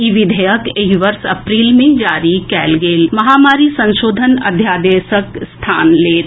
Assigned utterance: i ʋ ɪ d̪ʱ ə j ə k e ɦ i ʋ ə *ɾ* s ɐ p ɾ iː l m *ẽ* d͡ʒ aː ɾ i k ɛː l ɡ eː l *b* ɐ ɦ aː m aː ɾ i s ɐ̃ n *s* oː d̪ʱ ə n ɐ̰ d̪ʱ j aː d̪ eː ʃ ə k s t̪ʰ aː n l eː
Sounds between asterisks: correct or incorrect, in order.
correct, correct, incorrect: m, incorrect: ʃ

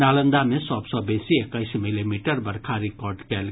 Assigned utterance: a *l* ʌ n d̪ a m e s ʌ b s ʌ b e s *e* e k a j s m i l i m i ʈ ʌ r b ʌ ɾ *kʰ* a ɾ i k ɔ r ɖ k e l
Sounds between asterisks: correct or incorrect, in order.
correct, incorrect: i, correct

